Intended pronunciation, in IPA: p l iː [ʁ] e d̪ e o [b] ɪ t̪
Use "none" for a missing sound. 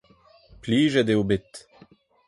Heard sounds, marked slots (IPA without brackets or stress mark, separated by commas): ʒ, b